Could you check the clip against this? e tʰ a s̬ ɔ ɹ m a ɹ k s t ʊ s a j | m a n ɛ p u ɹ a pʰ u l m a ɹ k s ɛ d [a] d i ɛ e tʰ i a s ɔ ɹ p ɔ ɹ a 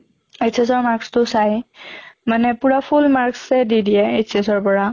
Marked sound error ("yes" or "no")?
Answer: yes